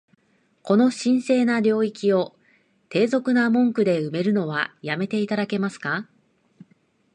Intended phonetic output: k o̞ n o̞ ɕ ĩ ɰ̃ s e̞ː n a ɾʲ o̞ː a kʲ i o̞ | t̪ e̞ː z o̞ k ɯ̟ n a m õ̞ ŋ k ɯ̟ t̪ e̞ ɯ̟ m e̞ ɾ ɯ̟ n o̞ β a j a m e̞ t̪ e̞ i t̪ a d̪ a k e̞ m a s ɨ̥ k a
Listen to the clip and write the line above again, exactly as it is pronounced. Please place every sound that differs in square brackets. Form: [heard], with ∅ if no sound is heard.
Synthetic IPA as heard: k o̞ n o̞ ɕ ĩ ɰ̃ s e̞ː n a ɾʲ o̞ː [i] kʲ i o̞ | t̪ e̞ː z o̞ k ɯ̟ n a m õ̞ ŋ k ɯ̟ [d̪] e̞ ɯ̟ m e̞ ɾ ɯ̟ n o̞ β a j a m e̞ t̪ e̞ i t̪ a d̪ a k e̞ m a s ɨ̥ k a

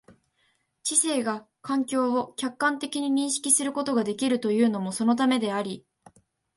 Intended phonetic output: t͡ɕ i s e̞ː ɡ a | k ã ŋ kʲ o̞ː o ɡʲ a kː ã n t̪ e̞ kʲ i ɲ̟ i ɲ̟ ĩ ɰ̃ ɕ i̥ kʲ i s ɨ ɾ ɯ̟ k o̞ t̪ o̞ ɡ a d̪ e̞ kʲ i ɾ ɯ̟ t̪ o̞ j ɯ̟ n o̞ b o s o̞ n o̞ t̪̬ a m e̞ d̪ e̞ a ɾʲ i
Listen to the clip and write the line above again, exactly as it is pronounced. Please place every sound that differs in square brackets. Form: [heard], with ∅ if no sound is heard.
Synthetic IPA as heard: t͡ɕ i s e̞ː ɡ a | k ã ŋ kʲ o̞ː o [kʲ] a kː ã n t̪ e̞ kʲ i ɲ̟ i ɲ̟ ĩ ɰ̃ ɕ i̥ kʲ i s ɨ ɾ ɯ̟ k o̞ t̪ o̞ ɡ a d̪ e̞ kʲ i ɾ ɯ̟ t̪ o̞ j [ɯ̟ː] n o̞ [m] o s o̞ n o̞ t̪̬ a m e̞ d̪ e̞ a ɾʲ i

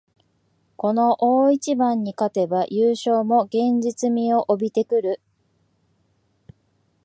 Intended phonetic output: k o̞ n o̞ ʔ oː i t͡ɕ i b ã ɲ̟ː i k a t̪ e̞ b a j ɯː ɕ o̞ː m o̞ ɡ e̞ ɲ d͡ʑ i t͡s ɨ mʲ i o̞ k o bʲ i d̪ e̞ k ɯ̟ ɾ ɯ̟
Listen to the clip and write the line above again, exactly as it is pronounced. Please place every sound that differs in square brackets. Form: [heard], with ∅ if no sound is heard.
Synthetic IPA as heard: k o̞ n o̞ ʔ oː i t͡ɕ i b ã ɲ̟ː i k a t̪ e̞ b a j ɯː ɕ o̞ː m o̞ ɡ [ẽ̞] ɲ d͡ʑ i t͡s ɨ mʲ i o̞ [ʔ] o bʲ i [t̪] e̞ k ɯ̟ ɾ ɯ̟

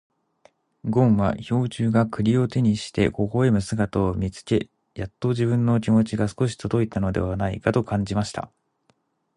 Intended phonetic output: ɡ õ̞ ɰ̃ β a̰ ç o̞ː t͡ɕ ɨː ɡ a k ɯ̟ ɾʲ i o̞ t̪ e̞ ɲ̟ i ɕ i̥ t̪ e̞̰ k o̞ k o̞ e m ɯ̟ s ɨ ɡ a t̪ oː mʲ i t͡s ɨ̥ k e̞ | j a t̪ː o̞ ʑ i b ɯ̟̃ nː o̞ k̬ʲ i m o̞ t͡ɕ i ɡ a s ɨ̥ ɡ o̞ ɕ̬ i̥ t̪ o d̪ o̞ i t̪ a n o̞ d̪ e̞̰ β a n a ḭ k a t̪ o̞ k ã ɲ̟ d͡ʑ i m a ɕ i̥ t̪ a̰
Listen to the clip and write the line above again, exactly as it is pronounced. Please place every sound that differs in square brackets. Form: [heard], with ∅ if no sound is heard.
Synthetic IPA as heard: ɡ õ̞ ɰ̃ β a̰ ç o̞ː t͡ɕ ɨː ɡ a k ɯ̟ ɾʲ i o̞ t̪ e̞ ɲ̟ i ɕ i̥ t̪ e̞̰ k o̞ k o̞ e m ɯ̟ s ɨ ɡ a t̪ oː mʲ i t͡s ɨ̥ k e̞ | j a t̪ː o̞ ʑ i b ɯ̟̃ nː o̞ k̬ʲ i m o̞ t͡ɕ i ɡ a s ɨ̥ [k] o̞ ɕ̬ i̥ t̪ o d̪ o̞ i t̪ a n o̞ d̪ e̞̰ β a n a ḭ k a t̪ o̞ k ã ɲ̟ d͡ʑ i m a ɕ i̥ t̪ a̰

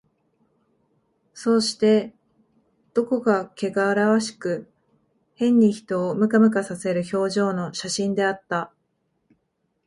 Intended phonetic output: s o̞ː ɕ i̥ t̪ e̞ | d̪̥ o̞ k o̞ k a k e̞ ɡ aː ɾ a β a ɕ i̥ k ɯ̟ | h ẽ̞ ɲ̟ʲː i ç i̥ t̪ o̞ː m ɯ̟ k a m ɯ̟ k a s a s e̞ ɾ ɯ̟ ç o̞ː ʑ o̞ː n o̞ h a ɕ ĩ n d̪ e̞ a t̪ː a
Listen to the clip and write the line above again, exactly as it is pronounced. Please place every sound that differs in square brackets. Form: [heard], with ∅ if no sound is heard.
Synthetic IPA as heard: s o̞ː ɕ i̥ t̪ e̞ | d̪̥ o̞ k o̞ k a k e̞ ɡ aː ɾ a β a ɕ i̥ k ɯ̟ | h ẽ̞ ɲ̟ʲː i ç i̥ t̪ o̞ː m ɯ̟ k a m ɯ̟ k a s a s e̞ ɾ ɯ̟ ç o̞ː ʑ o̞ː n o̞ [ɕ] a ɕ ĩ n d̪ e̞ a t̪ː a

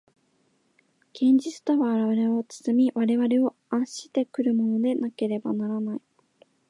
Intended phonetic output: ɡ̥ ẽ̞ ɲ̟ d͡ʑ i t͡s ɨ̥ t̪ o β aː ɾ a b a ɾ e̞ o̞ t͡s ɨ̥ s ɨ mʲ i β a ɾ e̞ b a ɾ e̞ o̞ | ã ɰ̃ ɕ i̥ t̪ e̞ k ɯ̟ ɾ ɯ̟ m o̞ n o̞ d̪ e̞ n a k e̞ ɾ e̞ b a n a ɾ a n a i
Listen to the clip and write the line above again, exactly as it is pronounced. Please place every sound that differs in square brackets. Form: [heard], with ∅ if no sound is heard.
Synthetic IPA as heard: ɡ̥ ẽ̞ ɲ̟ d͡ʑ i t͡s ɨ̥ t̪ o β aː ɾ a [β] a ɾ e̞ o̞ t͡s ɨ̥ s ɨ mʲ i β a ɾ e̞ [β] a ɾ e̞ o̞ | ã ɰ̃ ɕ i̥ t̪ e̞ k ɯ̟ ɾ ɯ̟ m o̞ n o̞ d̪ e̞ n a k e̞ ɾ e̞ b a n a ɾ a n a i

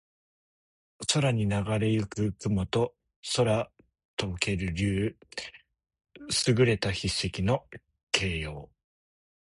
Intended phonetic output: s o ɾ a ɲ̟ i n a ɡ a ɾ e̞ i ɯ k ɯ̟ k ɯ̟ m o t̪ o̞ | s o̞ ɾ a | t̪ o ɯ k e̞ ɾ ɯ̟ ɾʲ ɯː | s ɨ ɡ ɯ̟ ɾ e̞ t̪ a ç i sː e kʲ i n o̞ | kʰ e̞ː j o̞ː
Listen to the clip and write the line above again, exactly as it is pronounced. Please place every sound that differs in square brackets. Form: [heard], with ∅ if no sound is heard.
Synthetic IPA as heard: s o ɾ a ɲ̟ i n a ɡ a ɾ e̞ [j] ɯ k ɯ̟ k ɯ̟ m o t̪ o̞ | s o̞ ɾ a | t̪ o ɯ k e̞ ɾ ɯ̟ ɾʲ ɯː | s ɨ ɡ ɯ̟ ɾ e̞ t̪ a ç i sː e kʲ i n o̞ | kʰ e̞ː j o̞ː

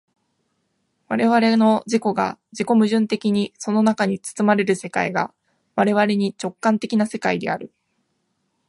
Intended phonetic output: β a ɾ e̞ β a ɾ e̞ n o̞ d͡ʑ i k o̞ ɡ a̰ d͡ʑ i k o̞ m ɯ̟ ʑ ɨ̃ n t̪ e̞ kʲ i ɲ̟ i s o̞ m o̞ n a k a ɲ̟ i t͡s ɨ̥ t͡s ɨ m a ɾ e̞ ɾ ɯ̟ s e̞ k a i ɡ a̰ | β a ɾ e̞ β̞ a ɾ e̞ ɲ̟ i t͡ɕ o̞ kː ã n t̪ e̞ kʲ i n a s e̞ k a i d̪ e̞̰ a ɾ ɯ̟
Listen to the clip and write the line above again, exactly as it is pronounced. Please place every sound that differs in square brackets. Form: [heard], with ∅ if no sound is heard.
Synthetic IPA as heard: β a ɾ e̞ β a ɾ e̞ n o̞ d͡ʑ i k o̞ ɡ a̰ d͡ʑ i k o̞ m ɯ̟ ʑ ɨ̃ n t̪ e̞ kʲ i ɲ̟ i s o̞ [n] o̞ n a k a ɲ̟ i t͡s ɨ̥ t͡s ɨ m a ɾ e̞ ɾ ɯ̟ s e̞ k a i ɡ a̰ | β a ɾ e̞ β̞ a ɾ e̞ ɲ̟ i t͡ɕ o̞ kː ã n t̪ e̞ kʲ i n a s e̞ k a i d̪ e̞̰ a ɾ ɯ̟

